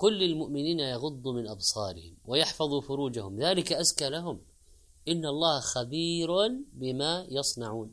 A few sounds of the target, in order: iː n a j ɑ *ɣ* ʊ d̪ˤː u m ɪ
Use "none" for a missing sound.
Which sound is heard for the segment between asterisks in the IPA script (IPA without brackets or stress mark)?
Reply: ɣ